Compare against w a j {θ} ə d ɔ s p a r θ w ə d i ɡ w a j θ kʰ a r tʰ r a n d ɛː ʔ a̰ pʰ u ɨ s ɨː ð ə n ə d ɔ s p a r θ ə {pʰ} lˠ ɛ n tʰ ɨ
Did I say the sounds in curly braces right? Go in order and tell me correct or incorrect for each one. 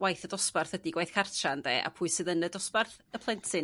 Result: correct, correct

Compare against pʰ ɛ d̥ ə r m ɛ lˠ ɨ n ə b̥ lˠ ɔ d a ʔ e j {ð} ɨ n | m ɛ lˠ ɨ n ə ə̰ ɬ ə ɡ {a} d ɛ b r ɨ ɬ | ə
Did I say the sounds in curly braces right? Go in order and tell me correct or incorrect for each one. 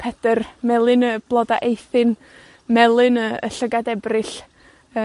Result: incorrect: θ, correct

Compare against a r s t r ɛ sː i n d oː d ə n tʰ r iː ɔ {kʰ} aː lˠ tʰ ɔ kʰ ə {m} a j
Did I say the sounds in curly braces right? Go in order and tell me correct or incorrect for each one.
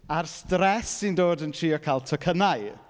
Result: correct, incorrect: n

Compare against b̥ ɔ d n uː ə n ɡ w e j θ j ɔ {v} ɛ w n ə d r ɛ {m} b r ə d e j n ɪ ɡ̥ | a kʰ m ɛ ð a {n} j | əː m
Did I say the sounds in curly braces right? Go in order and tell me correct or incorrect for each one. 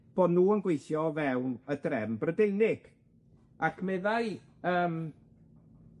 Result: correct, correct, incorrect: none

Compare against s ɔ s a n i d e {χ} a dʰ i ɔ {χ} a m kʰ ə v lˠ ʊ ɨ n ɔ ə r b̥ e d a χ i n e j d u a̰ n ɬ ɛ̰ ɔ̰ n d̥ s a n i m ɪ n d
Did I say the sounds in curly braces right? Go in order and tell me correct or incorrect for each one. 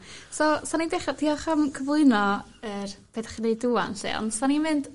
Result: correct, correct

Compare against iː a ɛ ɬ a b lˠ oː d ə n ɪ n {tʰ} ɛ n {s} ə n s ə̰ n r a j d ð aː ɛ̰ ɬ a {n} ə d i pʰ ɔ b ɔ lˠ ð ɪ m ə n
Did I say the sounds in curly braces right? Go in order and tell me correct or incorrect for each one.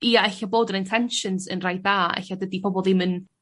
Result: correct, incorrect: ʃ, incorrect: d

